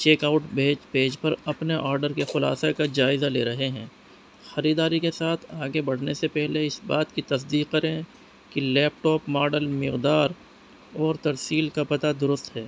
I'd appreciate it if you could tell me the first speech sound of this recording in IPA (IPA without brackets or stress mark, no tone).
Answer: t͡ʃ